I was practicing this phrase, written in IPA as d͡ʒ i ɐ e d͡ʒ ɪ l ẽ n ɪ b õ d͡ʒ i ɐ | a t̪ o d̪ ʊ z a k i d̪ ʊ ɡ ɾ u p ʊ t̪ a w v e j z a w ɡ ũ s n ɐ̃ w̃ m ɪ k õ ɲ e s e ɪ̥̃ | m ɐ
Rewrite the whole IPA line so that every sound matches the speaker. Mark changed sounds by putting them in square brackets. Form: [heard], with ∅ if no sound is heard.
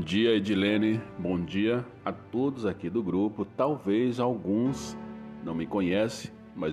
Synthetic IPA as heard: d͡ʒ i ɐ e d͡ʒ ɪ l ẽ n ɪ b õ d͡ʒ i ɐ | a t̪ o d̪ ʊ z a k i d̪ ʊ ɡ ɾ u p ʊ t̪ a w v e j z a w ɡ ũ s n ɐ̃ w̃ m ɪ k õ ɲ [ɛ] s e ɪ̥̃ | m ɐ